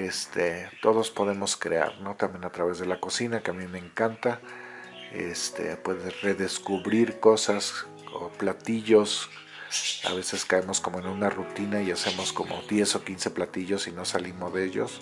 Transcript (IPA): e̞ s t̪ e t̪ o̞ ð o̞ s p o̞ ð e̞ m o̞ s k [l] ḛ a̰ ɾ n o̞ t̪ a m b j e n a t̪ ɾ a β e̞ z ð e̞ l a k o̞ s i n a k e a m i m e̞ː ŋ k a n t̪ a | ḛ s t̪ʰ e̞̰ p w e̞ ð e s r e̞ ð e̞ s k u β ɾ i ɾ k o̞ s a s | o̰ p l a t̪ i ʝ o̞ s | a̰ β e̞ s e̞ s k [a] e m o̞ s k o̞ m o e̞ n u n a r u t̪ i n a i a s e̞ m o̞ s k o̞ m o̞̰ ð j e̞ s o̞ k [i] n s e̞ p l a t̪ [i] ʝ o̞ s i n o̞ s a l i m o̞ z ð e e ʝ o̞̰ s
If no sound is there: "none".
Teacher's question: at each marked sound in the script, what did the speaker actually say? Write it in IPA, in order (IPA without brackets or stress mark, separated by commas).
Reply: ɾ, a, i, i